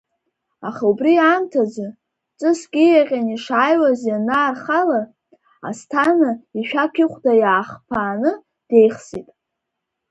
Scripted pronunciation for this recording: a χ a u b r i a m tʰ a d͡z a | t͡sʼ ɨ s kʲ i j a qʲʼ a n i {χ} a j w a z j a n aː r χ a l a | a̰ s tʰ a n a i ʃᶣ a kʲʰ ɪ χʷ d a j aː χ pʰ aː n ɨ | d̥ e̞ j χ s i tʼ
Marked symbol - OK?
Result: no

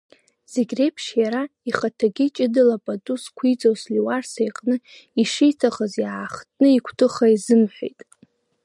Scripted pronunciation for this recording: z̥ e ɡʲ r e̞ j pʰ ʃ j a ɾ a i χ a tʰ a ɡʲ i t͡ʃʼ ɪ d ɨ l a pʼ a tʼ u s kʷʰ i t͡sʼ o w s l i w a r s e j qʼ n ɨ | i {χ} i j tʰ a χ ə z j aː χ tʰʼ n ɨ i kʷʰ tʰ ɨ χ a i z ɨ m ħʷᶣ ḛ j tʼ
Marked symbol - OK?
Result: no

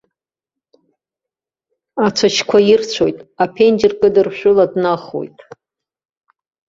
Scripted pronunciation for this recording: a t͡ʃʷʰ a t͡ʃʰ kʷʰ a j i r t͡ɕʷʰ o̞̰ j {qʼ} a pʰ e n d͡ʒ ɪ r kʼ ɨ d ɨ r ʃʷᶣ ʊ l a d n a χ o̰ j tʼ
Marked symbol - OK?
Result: no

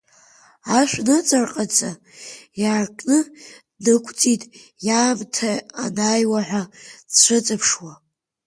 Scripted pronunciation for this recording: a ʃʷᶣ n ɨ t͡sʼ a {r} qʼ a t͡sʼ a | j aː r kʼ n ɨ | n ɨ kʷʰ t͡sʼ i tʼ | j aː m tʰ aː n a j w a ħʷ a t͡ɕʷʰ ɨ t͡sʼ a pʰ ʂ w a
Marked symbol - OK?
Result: yes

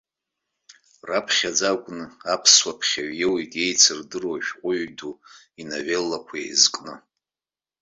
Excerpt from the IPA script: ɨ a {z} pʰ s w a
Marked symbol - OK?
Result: no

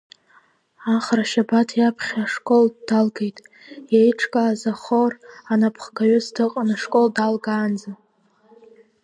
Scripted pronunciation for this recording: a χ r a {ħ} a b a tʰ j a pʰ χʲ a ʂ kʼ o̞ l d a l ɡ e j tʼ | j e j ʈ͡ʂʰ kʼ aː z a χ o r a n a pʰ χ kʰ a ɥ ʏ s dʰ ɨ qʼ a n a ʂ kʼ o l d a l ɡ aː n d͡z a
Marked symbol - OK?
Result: no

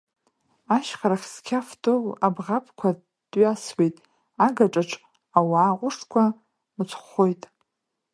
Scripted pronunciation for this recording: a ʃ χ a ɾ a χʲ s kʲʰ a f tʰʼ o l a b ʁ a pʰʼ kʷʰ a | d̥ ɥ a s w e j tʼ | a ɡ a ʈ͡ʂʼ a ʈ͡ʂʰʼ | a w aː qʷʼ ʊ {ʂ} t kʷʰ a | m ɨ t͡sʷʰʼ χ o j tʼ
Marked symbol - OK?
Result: yes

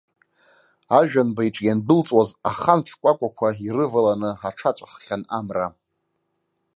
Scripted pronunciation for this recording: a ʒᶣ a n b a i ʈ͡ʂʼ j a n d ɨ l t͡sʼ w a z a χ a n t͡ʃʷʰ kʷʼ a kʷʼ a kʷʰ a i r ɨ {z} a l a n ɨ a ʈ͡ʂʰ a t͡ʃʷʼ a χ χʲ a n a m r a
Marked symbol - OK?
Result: no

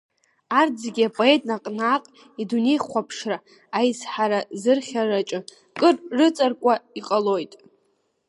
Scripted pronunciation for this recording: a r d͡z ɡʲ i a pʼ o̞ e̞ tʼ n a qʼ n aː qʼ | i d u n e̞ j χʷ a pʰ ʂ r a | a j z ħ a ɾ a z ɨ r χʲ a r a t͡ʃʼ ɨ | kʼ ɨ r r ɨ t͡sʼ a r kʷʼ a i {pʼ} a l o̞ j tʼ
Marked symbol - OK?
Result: no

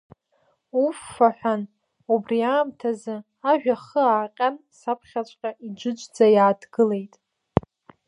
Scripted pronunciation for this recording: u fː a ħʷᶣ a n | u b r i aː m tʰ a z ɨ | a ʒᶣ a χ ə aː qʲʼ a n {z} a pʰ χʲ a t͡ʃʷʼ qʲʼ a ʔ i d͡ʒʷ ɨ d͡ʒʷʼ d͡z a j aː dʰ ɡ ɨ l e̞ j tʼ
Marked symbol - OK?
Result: no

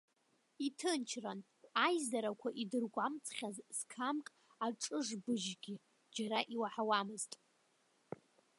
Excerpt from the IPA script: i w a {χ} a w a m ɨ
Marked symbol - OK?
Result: no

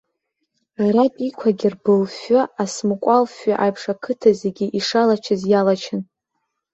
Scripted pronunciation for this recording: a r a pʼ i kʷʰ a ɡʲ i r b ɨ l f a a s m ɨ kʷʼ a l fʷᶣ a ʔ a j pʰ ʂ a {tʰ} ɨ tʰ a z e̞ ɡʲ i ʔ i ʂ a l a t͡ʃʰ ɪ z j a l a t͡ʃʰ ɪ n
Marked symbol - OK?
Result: no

